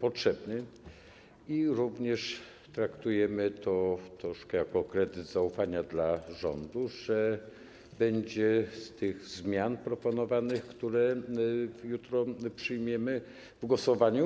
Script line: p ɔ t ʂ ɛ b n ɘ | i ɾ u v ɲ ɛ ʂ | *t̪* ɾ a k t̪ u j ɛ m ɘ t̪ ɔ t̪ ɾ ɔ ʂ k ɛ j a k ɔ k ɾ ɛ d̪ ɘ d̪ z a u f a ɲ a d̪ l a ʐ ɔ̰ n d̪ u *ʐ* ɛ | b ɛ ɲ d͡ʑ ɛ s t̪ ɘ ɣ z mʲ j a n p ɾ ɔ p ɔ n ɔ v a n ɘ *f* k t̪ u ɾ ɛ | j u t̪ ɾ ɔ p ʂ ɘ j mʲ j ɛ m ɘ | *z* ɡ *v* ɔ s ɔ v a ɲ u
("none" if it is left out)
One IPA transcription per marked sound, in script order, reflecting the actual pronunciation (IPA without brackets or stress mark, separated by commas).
t̪, ʐ, x, v, w